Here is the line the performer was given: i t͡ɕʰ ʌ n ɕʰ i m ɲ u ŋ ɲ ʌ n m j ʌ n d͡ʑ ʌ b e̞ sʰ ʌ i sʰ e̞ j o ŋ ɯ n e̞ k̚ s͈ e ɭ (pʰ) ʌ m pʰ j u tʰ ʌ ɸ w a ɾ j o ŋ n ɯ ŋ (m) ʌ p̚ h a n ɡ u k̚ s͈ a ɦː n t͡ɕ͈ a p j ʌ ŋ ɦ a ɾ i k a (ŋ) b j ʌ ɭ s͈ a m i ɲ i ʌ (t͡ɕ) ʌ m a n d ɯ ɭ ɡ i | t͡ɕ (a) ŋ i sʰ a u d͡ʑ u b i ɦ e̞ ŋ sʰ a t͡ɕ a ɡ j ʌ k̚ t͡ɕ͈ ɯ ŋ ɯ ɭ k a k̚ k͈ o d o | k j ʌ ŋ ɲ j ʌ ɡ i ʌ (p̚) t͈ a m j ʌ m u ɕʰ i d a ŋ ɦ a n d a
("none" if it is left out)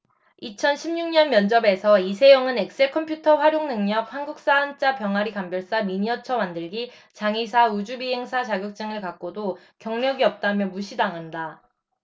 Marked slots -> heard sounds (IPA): kʰ, ɲ, m, t͡ɕʰ, a, p̚

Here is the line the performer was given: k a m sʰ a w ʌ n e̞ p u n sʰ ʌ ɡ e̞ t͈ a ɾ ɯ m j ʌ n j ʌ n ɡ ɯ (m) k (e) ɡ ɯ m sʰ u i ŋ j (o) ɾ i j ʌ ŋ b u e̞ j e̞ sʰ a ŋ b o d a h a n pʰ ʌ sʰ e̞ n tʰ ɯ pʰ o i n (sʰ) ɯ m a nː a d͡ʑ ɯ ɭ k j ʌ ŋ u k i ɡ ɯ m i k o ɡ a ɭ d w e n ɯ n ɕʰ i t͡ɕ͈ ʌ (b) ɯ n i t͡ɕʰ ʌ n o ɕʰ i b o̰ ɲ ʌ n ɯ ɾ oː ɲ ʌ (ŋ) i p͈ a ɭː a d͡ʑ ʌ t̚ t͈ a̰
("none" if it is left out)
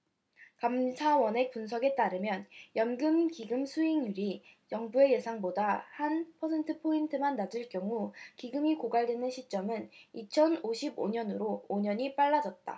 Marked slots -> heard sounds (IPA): m, i, u, tʰ, m, ɲ

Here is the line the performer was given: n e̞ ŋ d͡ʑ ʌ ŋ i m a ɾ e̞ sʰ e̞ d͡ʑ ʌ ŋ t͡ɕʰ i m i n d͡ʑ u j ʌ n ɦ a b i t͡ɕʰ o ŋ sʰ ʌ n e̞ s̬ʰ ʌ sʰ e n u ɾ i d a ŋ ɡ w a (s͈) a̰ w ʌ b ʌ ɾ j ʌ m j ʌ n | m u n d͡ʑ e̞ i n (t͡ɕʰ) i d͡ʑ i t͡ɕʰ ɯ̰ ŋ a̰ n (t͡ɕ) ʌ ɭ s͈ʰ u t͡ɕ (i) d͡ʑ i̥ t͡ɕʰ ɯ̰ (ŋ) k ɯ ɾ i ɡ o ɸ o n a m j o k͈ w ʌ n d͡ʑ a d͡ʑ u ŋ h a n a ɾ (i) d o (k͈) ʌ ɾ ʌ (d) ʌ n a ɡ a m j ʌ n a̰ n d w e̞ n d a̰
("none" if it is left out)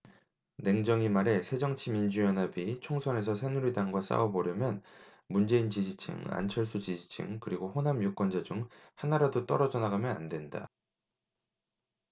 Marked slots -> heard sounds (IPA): s͈, t͡ɕ, t͡ɕʰ, i, ŋ, a, t͈, d͡ʑ

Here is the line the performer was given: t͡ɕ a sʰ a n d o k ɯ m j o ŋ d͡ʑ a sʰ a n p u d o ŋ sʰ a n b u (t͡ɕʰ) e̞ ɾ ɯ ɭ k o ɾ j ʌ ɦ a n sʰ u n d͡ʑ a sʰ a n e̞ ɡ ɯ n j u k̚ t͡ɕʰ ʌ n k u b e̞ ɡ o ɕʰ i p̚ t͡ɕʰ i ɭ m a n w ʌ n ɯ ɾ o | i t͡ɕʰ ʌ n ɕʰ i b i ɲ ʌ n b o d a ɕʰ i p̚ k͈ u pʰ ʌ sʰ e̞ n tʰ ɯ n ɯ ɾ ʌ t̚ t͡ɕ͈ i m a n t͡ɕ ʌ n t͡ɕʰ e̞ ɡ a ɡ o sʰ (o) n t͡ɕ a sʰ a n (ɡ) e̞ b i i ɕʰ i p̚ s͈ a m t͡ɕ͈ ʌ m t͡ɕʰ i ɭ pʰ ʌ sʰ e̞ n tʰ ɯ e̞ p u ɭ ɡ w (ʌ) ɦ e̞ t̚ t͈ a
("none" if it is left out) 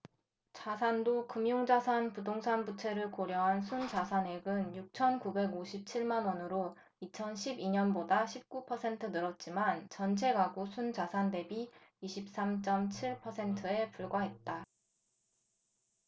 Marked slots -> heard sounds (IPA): t͡ɕʰ, u, d, a

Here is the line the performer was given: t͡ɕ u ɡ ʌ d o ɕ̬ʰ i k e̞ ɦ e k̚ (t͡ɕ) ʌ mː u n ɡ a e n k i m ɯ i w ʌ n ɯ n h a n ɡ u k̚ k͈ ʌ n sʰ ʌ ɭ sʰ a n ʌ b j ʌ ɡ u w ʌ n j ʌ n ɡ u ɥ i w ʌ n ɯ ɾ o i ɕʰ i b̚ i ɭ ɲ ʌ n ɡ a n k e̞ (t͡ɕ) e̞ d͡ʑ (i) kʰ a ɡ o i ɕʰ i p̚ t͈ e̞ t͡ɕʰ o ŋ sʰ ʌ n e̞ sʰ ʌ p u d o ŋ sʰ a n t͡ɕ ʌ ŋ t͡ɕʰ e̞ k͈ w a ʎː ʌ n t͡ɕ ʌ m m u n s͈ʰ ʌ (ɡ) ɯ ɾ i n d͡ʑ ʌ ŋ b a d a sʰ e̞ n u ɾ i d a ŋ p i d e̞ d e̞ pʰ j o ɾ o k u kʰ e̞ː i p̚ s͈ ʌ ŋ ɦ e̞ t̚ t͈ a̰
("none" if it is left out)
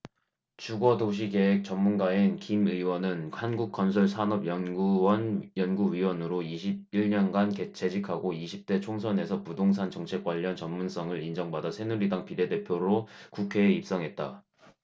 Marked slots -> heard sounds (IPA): t͡ɕ, t͡ɕʰ, i, ŋ

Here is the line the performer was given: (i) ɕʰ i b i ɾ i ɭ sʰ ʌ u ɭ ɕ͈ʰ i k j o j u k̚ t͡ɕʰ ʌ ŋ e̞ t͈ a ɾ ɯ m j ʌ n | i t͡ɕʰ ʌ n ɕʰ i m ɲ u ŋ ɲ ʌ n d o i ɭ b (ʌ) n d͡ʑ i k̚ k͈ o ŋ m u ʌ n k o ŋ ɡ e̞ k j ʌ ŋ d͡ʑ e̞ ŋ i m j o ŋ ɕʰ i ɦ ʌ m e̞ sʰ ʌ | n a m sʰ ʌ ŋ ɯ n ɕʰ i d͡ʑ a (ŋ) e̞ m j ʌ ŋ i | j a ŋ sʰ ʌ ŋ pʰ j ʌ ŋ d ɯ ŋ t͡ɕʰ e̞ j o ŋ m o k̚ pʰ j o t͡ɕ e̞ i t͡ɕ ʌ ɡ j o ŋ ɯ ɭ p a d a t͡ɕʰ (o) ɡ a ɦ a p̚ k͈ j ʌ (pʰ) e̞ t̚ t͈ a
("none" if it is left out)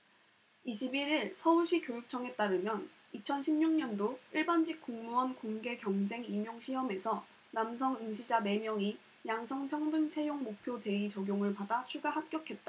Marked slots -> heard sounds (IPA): i, a, n, u, kʰ

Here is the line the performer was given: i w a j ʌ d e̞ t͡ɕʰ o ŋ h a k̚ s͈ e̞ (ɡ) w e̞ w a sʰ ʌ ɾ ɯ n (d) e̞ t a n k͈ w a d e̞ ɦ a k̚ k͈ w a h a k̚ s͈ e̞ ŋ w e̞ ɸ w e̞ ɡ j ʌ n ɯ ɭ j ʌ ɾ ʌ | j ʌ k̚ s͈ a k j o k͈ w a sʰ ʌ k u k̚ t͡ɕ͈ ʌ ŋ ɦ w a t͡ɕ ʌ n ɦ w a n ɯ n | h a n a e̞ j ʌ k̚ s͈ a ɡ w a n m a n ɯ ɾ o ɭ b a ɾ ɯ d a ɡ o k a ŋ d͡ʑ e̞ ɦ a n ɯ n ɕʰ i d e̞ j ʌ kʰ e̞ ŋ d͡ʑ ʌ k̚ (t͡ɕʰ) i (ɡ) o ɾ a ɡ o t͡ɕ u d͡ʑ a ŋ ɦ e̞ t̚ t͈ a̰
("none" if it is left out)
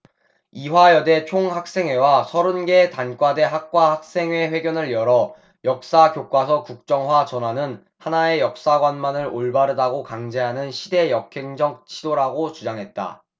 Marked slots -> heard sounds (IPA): ŋ, ɡ, t͡ɕʰ, d

